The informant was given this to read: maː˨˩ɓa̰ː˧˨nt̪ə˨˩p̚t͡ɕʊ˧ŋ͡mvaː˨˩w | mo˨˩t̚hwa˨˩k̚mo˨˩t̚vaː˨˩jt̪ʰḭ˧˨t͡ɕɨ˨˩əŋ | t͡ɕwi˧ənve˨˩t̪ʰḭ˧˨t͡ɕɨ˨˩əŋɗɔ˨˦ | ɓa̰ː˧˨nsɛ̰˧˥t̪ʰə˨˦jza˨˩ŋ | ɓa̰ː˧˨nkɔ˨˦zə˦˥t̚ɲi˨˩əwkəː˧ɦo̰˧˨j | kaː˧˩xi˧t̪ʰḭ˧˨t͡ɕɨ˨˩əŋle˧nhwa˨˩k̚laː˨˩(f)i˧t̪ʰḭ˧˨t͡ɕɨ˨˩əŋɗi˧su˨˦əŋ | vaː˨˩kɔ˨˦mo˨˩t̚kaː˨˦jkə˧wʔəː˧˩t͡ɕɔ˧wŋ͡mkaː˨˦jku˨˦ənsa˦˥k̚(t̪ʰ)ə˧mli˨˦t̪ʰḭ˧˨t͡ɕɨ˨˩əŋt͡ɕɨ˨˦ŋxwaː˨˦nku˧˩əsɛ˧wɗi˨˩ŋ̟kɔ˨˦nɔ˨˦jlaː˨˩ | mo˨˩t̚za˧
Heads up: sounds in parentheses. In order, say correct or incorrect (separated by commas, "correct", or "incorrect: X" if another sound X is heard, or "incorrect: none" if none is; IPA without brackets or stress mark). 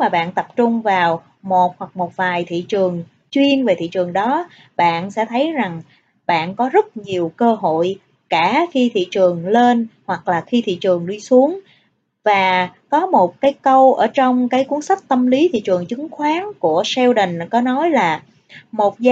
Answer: incorrect: x, incorrect: t̪